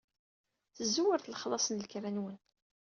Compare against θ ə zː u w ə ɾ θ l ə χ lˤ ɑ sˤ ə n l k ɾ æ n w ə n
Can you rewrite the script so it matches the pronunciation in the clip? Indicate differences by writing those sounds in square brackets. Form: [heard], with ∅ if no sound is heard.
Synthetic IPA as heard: θ ə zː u w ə ɾ θ l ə χ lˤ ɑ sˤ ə n l k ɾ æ n w ə n

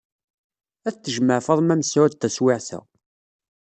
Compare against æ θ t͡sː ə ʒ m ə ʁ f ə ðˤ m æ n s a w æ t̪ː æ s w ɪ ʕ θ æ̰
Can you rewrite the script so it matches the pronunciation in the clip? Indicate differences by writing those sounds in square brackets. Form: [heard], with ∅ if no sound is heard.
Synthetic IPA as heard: æ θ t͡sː ə ʒ m ə [ʕ] f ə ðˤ m æ [m] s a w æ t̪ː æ s w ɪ ʕ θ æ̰

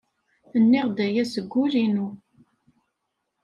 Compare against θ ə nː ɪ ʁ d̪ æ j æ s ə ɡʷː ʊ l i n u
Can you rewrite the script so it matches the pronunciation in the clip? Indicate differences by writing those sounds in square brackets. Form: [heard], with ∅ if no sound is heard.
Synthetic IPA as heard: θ ə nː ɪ ʁ d̪ æ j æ s ə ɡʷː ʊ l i n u

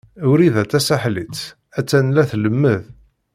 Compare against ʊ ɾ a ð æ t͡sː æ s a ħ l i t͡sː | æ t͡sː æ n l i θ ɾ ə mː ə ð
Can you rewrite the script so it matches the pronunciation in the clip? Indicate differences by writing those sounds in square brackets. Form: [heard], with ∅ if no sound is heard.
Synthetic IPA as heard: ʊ ɾ [i] ð æ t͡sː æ s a ħ l i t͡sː | æ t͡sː æ n l [æ] θ [l] ə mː ə ð

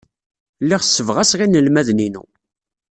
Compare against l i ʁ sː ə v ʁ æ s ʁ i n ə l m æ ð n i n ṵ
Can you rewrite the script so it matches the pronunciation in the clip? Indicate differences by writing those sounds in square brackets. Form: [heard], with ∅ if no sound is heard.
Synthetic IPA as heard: l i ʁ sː ə v ʁ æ s ʁ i n ə l m æ ð n i n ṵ

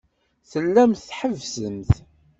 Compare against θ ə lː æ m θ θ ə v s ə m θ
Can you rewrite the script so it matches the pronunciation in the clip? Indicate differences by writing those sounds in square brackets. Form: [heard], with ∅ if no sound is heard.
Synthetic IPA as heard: θ ə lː æ m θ [ħ] ə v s ə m θ

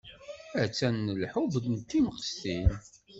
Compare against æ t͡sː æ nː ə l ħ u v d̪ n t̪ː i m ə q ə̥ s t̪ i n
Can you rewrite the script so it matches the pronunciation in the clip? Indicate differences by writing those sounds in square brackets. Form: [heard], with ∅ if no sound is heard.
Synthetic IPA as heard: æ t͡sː æ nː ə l ħ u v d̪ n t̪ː i m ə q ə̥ s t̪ i n

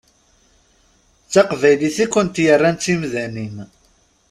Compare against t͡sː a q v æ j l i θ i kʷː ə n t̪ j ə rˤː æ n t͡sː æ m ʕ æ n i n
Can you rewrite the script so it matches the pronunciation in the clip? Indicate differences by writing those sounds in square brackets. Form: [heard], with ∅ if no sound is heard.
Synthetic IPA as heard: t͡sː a q v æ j l i θ i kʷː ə n t̪ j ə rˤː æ n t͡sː [i] m [ð] æ n i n

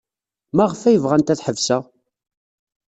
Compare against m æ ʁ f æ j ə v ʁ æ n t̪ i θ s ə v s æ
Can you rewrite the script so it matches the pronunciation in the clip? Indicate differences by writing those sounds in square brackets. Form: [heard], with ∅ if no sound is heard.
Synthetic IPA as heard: m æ ʁ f æ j ə v ʁ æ n t̪ [æ] θ [ħ] ə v s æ

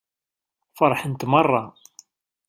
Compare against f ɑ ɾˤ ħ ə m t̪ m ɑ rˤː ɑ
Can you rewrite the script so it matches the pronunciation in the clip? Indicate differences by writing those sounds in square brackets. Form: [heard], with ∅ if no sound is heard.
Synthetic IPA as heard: f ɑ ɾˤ ħ ə [n] t̪ m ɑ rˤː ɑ

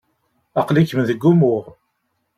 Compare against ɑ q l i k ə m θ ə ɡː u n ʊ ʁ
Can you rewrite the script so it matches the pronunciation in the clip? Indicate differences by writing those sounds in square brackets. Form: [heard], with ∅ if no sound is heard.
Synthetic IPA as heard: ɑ q l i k ə m [ð] ə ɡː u [m] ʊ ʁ

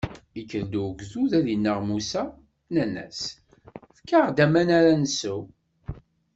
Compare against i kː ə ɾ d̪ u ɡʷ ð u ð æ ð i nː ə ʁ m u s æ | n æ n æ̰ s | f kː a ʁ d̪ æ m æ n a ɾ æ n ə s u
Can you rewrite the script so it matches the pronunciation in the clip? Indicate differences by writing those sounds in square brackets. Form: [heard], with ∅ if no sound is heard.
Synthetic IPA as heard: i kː ə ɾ d̪ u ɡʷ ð u ð æ ð i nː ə ʁ m u s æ | n æ n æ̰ s | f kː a ʁ d̪ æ m æ n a ɾ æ n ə s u

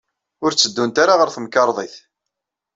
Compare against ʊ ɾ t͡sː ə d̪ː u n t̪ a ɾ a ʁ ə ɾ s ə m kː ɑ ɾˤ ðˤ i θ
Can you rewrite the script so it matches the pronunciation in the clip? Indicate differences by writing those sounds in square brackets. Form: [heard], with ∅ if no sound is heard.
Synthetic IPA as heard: ʊ ɾ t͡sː ə d̪ː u n t̪ a ɾ a ʁ ə ɾ [θ] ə m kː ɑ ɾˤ ðˤ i θ

